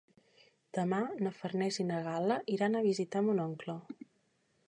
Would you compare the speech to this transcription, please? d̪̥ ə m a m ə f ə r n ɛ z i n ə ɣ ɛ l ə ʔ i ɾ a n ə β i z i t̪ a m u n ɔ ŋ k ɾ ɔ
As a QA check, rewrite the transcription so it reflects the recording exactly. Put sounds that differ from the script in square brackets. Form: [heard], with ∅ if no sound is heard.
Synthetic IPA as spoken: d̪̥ ə m a [n] ə f ə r n ɛ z i n ə ɣ [a] l ə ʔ i ɾ a n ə β i z i t̪ a m u n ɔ ŋ k [l] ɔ